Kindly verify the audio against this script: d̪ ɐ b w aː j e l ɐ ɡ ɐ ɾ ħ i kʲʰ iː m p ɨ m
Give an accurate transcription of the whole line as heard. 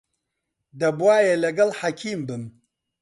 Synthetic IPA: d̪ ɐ b w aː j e l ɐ ɡ ɐ l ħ a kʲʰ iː m b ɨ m